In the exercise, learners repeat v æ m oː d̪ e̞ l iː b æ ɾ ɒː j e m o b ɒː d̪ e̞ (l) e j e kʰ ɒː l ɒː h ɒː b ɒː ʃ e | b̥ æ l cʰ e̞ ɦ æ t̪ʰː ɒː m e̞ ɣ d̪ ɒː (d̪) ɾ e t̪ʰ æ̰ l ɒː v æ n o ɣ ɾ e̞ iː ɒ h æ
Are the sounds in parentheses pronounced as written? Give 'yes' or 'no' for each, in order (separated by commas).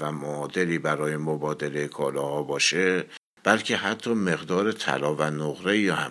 yes, no